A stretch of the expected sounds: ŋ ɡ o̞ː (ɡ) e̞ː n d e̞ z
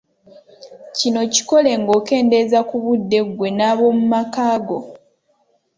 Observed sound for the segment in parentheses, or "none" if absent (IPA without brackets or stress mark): k